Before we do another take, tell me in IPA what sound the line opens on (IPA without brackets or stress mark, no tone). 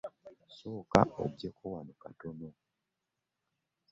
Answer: s